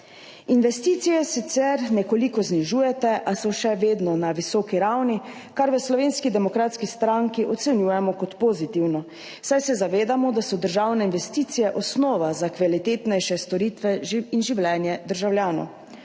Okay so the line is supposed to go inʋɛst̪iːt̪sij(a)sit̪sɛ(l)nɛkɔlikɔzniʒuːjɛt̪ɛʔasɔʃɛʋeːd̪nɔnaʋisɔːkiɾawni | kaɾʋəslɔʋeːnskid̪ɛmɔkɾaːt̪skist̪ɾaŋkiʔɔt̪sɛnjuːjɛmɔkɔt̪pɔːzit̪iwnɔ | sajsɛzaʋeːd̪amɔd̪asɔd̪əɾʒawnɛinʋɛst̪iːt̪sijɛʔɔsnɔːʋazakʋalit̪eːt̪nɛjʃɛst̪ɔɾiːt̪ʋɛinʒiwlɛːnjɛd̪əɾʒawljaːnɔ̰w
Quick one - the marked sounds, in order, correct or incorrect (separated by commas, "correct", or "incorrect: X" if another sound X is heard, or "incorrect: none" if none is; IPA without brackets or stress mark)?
incorrect: ɛ, incorrect: ɾ